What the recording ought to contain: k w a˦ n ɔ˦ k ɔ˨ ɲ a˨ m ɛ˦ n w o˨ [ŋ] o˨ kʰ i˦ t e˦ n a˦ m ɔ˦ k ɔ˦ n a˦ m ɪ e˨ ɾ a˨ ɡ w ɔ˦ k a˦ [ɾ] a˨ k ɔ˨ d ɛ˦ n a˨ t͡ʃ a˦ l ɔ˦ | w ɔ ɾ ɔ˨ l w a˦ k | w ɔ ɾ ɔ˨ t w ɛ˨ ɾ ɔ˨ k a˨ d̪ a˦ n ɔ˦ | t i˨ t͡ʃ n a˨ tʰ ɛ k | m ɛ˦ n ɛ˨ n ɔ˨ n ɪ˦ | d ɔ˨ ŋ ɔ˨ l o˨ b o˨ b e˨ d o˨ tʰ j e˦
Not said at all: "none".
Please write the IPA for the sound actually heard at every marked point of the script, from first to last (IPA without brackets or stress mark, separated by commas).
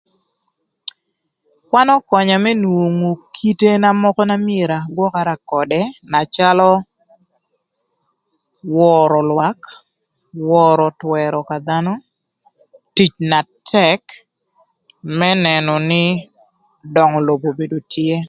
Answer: ŋ, ɾ